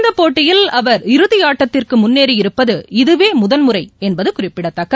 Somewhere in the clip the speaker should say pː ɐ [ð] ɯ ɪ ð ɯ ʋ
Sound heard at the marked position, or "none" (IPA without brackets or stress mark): ð